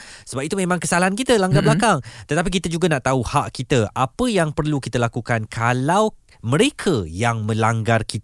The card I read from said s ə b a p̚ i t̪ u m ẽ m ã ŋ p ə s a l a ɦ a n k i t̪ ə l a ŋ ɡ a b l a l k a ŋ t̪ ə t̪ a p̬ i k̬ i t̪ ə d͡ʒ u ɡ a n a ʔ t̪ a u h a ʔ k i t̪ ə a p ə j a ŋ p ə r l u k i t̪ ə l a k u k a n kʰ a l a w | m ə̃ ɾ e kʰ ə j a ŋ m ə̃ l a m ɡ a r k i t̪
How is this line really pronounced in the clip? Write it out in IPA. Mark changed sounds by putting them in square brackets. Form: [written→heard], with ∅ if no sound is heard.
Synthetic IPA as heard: s ə b a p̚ i t̪ u m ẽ m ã ŋ [p→k] ə s a l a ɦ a n k i t̪ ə l a ŋ ɡ a b l a [l→∅] k a ŋ t̪ ə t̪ a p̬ i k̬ i t̪ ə d͡ʒ u ɡ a n a ʔ t̪ a u h a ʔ k i t̪ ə a p ə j a ŋ p ə r l u k i t̪ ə l a k u k a n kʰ a l a w | m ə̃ ɾ e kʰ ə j a ŋ m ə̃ l a [m→ŋ] ɡ a r k i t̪